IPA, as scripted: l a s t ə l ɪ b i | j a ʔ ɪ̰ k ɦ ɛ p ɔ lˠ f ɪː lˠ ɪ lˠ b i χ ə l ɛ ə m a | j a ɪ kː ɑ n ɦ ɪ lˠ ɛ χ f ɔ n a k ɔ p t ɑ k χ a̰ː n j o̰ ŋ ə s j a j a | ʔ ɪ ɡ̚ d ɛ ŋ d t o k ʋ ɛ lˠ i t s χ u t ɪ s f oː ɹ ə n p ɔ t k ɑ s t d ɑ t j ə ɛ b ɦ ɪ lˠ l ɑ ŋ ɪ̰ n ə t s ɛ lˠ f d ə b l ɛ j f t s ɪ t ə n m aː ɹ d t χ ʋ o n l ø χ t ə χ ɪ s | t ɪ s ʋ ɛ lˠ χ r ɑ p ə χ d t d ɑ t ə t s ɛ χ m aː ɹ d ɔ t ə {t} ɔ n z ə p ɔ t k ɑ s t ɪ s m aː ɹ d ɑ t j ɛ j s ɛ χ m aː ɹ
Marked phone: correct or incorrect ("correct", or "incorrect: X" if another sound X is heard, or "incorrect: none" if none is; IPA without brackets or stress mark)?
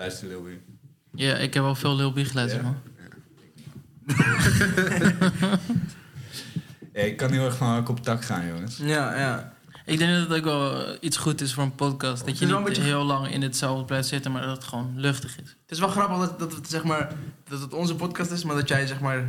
correct